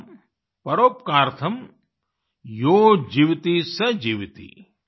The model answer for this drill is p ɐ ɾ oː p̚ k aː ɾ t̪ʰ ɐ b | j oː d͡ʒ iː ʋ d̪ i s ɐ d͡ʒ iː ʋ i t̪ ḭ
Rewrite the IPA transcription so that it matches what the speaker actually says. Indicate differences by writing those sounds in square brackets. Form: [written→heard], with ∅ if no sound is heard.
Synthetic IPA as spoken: p ɐ ɾ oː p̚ k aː ɾ t̪ʰ ɐ [b→m] | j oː d͡ʒ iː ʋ [d̪→t̪] i s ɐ d͡ʒ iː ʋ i t̪ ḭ